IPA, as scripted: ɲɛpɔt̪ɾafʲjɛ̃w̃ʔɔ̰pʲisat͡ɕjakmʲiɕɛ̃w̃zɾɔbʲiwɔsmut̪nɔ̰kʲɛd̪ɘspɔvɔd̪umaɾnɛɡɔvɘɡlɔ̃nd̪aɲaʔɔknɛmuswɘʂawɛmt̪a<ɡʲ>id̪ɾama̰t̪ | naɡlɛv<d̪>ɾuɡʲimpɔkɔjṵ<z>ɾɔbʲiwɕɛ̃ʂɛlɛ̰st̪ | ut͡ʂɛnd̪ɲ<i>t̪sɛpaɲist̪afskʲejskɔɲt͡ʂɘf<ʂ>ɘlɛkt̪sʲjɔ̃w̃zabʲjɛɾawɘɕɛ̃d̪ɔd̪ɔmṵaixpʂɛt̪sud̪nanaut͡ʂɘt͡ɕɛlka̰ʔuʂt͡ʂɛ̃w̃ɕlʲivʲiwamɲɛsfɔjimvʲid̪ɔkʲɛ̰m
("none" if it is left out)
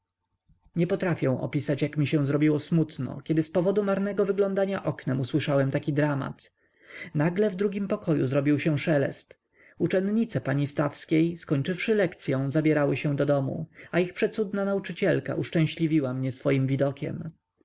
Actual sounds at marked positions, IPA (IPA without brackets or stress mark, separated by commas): kʲ, d̪, z, i, ʂ